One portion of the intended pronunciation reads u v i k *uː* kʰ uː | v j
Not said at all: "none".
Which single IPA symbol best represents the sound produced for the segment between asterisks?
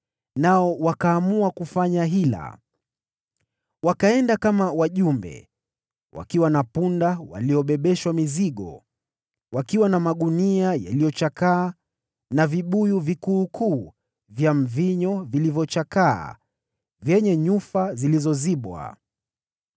uː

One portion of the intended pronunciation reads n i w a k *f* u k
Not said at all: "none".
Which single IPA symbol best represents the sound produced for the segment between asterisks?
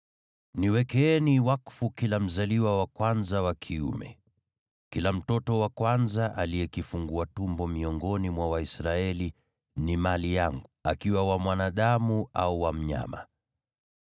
f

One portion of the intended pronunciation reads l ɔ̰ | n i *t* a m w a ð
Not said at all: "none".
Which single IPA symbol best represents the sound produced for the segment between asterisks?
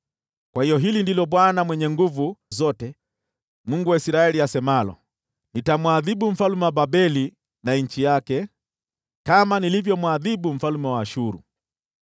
t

